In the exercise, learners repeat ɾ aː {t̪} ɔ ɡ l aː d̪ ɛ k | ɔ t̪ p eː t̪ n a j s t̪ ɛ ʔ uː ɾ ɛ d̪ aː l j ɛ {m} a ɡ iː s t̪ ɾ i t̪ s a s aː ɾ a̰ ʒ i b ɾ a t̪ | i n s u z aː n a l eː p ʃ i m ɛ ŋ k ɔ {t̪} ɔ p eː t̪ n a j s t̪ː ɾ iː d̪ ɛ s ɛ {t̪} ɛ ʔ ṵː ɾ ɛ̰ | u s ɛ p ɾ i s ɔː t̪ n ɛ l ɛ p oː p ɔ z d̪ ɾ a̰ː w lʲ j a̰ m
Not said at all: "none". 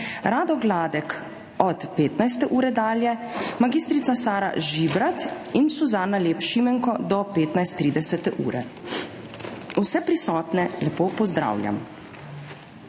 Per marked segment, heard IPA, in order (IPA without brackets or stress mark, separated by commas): d̪, m, d̪, t̪